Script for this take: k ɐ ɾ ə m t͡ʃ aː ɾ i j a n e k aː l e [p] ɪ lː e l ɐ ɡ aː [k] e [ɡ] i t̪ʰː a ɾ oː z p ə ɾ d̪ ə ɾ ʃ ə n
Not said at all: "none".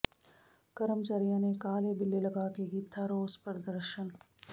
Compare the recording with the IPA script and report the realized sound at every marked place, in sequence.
b, k, ɡ

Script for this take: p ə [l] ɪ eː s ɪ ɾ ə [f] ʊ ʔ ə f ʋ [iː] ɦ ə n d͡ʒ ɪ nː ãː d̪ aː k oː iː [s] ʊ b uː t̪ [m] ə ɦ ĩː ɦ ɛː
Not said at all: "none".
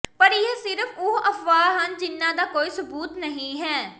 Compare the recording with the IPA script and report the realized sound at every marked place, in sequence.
ɾ, f, aː, s, n

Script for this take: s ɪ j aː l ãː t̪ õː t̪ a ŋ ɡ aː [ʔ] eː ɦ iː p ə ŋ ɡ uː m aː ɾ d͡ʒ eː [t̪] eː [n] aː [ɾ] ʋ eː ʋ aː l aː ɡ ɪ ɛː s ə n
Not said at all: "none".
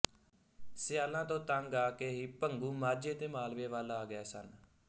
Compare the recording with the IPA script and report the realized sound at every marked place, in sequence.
k, t̪, m, l

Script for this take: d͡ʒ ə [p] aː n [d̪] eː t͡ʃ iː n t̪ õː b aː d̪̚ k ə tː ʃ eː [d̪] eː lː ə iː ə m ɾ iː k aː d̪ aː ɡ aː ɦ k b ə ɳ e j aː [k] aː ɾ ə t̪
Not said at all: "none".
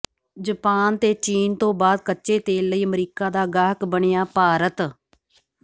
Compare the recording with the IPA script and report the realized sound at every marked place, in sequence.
p, t̪, t̪, p

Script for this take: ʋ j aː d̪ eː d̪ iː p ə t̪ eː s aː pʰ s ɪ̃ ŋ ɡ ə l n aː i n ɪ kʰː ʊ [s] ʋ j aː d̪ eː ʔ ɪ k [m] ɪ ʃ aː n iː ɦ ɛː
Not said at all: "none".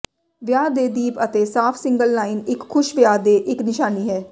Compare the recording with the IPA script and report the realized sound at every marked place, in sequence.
ʃ, n

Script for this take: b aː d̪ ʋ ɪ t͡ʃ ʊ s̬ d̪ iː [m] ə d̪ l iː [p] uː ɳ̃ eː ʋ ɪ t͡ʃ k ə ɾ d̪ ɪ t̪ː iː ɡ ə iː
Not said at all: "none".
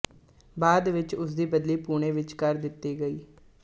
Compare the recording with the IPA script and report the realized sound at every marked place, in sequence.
b, p

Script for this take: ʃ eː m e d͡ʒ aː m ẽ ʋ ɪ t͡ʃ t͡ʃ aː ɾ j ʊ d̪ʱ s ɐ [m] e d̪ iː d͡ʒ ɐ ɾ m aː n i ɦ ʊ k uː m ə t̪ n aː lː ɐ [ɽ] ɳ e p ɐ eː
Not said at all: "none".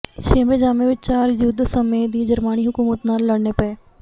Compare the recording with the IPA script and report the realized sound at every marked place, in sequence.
m, ɽ

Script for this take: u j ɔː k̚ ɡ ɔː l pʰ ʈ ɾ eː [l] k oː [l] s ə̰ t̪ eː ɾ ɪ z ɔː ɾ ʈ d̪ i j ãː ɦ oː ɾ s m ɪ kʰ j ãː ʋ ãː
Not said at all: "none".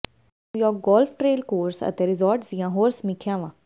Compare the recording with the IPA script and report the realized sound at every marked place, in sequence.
l, ɾ

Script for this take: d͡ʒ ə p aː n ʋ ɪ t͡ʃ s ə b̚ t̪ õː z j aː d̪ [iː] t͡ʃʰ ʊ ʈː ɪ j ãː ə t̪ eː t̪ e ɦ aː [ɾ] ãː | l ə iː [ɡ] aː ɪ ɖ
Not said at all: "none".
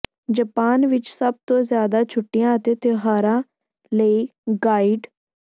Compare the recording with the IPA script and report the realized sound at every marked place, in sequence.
aː, ɾ, ɡ

